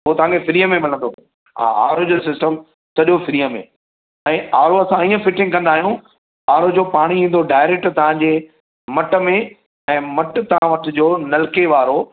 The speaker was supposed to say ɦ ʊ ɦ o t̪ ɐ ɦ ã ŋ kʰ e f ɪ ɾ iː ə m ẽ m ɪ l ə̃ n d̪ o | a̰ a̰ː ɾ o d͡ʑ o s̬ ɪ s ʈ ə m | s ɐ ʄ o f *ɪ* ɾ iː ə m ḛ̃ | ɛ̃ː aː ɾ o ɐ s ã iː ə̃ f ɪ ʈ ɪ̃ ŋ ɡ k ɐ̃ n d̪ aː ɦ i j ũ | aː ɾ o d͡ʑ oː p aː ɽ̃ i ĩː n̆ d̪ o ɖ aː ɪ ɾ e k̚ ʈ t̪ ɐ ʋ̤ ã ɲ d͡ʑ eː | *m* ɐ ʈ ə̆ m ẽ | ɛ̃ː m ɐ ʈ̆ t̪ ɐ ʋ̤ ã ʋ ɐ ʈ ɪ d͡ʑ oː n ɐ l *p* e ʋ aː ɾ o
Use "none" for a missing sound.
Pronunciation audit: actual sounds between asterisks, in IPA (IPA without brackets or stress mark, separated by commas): ɪ, m, k